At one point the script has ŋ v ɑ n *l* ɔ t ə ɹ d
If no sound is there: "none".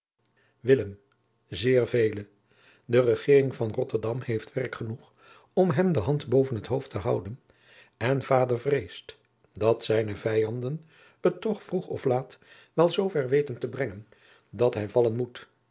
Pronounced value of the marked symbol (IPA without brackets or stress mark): r